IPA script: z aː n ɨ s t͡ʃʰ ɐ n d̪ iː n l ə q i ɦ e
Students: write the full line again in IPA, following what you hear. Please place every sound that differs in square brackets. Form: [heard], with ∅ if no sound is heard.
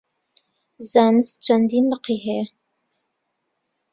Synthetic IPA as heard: z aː n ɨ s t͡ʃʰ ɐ n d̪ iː n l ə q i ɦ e